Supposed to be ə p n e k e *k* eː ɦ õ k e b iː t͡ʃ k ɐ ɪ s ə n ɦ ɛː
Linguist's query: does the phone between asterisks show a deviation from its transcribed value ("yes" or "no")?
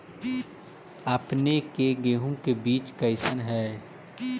yes